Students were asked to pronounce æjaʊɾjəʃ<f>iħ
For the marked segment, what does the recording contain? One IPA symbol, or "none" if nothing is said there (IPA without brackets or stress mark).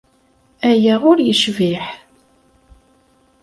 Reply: v